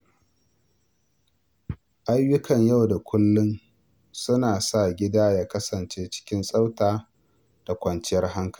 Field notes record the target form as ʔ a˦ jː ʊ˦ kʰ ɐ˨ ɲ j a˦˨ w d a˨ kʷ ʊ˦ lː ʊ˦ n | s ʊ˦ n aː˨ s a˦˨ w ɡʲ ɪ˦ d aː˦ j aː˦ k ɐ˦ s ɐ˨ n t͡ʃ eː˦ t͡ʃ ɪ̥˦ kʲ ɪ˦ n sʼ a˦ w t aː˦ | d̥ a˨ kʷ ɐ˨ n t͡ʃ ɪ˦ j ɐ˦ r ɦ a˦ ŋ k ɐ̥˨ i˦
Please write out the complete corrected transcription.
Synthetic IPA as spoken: ʔ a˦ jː ʊ˦ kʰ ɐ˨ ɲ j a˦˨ w d a˨ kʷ ʊ˦ lː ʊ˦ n | s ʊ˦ n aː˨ s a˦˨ ɡʲ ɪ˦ d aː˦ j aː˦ k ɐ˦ s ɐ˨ n t͡ʃ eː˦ t͡ʃ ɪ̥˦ kʲ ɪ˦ n sʼ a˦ w t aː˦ | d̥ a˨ kʷ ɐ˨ n t͡ʃ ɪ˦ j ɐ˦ r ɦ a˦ ŋ k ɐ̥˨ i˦

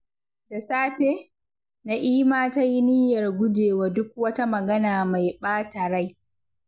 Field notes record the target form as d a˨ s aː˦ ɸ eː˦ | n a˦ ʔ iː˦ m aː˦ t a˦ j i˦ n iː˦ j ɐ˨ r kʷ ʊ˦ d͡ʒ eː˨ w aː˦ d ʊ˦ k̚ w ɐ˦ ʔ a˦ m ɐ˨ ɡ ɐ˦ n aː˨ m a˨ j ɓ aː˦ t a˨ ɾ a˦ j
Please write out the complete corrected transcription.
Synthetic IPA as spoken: d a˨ s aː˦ ɸ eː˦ | n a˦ ʔ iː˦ m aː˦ t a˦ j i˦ n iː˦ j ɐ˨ r ɡʷ ʊ˦ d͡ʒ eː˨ w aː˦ d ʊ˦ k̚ w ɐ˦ t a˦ m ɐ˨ ɡ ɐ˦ n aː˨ m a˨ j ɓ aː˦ t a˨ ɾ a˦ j

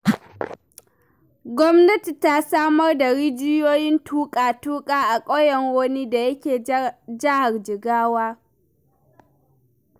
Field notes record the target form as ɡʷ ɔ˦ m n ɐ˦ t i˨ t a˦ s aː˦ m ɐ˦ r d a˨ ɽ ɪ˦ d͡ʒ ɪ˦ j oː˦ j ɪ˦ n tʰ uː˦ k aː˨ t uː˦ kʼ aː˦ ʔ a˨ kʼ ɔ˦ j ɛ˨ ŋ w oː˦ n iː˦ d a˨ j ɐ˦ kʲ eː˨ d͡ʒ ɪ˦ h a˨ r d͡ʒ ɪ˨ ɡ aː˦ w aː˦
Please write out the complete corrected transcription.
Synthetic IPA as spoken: ɡʷ ɔ˦ m n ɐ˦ t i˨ t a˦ s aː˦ m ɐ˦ r d a˨ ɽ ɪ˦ d͡ʒ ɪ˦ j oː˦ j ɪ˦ n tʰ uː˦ kʼ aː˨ t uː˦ kʼ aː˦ ʔ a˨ kʼ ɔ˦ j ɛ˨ ŋ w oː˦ n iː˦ d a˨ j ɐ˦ kʲ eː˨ d͡ʒ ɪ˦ h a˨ r d͡ʒ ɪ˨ ɡ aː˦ w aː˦

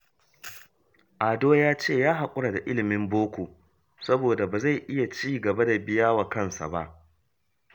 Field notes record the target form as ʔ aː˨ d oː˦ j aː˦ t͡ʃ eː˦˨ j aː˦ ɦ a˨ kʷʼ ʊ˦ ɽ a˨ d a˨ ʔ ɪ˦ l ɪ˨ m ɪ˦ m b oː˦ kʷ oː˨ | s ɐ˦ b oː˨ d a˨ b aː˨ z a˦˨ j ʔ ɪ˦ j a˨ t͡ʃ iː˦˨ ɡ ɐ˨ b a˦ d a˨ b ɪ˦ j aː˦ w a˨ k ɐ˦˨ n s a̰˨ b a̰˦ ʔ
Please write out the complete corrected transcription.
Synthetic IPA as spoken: ʔ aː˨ d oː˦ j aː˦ t͡ʃ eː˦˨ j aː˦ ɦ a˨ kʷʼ ʊ˦ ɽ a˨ d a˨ ʔ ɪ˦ l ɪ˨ m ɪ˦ m b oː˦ kʷ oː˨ | s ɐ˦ b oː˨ d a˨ b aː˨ z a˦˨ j ʔ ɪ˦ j a˨ t͡ʃ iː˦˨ ɡ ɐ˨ b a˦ d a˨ b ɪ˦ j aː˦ w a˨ k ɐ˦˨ n s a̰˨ b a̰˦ ʔ

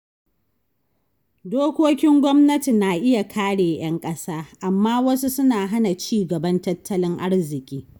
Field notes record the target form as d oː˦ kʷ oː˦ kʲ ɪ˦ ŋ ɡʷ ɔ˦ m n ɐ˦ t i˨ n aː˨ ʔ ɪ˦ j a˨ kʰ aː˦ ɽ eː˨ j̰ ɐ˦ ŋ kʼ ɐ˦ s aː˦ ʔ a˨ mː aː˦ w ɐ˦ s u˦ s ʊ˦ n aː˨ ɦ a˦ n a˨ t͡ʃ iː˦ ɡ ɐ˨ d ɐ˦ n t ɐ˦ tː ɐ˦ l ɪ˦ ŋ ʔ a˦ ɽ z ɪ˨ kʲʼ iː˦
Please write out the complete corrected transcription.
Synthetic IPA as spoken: d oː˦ kʷ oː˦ kʲ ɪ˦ ŋ ɡʷ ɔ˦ m n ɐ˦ t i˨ n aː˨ ʔ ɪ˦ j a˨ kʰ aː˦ ɽ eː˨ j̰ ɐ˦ ŋ kʼ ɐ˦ s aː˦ ʔ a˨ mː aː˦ w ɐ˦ s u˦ s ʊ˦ n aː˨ ɦ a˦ n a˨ t͡ʃ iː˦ ɡ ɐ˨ b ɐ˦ n t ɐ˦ tː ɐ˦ l ɪ˦ ŋ ʔ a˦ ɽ z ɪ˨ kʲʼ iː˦

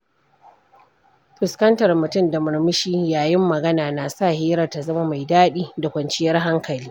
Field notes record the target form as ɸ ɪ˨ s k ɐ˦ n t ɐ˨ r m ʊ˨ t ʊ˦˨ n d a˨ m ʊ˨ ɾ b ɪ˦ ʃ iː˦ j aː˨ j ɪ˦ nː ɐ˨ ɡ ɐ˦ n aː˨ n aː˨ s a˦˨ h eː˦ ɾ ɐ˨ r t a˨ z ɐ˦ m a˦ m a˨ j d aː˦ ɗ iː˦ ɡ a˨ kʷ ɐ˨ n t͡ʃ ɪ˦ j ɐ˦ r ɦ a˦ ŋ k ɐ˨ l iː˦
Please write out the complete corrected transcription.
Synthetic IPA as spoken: ɸ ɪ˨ s k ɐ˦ n t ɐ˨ r m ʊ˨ t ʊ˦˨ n d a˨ m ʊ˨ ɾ m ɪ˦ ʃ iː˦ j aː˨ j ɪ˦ mː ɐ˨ ɡ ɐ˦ n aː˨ n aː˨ s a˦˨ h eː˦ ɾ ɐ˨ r t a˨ z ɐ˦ m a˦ m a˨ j d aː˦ ɗ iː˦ d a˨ kʷ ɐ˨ n t͡ʃ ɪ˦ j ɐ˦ r ɦ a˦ ŋ k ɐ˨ l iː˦

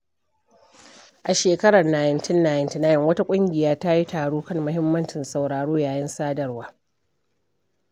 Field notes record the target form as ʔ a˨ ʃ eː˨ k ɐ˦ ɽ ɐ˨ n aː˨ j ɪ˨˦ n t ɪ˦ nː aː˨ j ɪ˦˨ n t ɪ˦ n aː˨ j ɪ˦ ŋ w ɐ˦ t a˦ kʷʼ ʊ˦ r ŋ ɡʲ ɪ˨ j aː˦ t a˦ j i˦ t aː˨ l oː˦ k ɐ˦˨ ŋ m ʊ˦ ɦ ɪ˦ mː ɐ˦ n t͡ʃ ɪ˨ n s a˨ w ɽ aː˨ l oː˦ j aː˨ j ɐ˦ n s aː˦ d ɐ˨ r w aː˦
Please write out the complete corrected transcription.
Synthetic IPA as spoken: ʔ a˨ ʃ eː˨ k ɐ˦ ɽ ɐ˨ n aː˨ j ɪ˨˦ n t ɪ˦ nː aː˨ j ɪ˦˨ n t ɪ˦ n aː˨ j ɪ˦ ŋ w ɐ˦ t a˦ kʷʼ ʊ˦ ŋ ɡʲ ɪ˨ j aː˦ t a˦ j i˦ t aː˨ ɽ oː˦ k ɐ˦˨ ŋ m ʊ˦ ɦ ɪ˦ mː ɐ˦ n t͡ʃ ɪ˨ n s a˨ w ɽ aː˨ ɽ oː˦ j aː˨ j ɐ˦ n s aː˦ d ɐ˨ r w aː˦

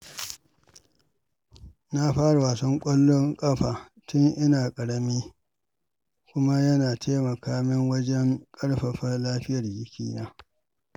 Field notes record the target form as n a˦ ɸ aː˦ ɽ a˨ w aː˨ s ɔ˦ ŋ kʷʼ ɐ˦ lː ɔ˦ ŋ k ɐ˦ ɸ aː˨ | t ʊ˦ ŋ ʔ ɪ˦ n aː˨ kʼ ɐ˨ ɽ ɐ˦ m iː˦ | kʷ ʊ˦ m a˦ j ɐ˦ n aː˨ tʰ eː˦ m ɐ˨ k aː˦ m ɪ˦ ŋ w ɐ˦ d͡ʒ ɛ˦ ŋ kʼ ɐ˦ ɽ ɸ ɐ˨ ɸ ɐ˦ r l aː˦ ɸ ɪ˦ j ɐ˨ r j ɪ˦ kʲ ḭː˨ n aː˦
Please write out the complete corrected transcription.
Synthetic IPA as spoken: n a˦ ɸ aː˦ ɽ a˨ w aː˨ s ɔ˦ ŋ kʷʼ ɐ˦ lː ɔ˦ ŋ kʼ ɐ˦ ɸ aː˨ | t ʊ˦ ŋ ʔ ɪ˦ n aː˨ kʼ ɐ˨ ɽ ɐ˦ m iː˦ | kʷ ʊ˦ m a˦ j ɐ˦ n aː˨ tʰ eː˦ m ɐ˨ k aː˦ m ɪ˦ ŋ w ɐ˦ d͡ʒ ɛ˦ ŋ kʼ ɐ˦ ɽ ɸ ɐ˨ ɸ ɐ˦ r l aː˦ ɸ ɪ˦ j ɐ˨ r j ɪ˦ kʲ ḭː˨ n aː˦

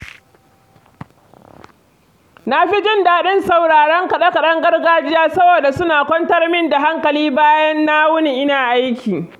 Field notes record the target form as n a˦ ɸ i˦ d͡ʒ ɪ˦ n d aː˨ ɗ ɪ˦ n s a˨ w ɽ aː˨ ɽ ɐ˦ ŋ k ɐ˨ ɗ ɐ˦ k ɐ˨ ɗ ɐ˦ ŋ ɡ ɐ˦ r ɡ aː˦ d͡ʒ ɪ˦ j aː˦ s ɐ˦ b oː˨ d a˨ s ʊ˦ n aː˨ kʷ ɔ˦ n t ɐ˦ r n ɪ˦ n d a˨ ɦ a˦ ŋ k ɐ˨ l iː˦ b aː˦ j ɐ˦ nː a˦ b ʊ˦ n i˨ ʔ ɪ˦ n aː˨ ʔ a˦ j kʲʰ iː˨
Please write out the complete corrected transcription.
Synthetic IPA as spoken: n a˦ ɸ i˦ d͡ʒ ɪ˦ n d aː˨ ɗ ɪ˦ n s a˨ w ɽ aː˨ ɽ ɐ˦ ŋ k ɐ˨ ɗ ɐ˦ k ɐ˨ ɗ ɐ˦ ŋ ɡ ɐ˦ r ɡ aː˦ d͡ʒ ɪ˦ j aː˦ s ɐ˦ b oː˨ d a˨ s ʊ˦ n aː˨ kʷ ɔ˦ n t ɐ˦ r m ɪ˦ n d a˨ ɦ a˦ ŋ k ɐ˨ l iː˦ b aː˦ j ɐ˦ nː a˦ w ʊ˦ n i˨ ʔ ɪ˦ n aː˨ ʔ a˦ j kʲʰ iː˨

